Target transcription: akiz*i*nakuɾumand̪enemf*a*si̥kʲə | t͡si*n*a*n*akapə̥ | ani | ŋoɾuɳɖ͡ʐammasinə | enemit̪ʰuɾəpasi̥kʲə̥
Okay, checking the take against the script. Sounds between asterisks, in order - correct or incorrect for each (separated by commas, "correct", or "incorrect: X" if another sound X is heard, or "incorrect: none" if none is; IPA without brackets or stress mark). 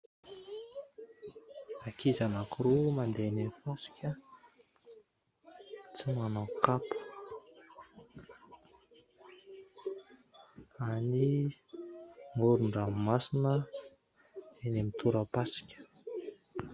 incorrect: a, correct, incorrect: m, correct